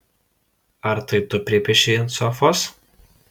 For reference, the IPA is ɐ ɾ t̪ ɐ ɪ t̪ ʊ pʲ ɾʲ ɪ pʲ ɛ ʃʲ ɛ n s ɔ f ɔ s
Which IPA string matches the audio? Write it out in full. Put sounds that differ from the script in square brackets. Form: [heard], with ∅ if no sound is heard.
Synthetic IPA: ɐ ɾ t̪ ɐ ɪ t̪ ʊ pʲ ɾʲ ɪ pʲ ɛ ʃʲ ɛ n s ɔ f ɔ s